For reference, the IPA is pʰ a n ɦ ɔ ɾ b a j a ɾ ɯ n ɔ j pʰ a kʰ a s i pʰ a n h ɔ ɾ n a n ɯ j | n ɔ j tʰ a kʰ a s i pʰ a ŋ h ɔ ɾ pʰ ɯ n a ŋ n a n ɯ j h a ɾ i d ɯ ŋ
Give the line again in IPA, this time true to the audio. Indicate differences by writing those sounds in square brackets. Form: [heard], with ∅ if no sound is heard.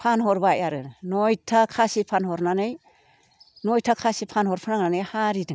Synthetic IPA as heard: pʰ a n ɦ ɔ ɾ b a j a ɾ ɯ n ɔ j [tʰ] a kʰ a s i pʰ a n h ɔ ɾ n a n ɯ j | n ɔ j tʰ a kʰ a s i pʰ a [n] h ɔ ɾ pʰ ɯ n a ŋ n a n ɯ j h a ɾ i d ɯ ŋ